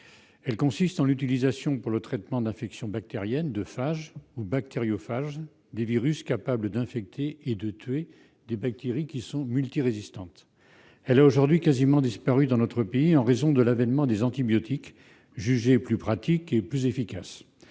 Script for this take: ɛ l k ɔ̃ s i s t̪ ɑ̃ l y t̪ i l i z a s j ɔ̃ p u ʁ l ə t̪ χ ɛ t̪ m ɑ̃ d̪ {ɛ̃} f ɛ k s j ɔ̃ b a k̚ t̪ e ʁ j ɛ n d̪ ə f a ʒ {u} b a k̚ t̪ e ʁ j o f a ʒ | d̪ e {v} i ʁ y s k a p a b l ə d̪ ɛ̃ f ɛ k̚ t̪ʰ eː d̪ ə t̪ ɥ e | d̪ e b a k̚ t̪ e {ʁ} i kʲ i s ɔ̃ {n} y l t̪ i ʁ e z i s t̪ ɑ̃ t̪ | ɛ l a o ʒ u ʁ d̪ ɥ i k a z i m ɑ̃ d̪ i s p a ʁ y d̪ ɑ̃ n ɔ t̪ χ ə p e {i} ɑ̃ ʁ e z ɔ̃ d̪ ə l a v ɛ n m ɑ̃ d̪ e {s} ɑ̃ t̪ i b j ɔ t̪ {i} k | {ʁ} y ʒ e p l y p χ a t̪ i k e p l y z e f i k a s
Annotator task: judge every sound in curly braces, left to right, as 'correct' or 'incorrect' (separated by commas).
correct, correct, correct, correct, incorrect, correct, incorrect, correct, incorrect